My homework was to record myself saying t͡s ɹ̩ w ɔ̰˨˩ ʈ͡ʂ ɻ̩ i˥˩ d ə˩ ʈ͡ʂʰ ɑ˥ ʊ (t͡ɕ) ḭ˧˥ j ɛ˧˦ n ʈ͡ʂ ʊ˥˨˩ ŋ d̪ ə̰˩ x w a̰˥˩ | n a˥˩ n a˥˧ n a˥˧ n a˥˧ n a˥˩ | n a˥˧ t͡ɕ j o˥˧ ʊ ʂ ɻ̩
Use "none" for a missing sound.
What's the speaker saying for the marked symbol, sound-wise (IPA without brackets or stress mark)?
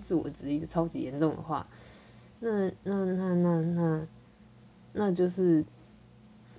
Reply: t͡ɕ